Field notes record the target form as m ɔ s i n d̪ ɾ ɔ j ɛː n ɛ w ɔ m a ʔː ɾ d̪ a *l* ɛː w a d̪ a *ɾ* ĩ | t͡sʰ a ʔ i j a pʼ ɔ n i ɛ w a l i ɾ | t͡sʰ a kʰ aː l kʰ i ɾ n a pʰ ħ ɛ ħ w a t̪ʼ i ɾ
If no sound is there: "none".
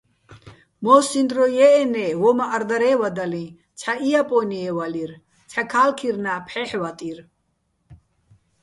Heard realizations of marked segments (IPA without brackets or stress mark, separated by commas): ɾ, l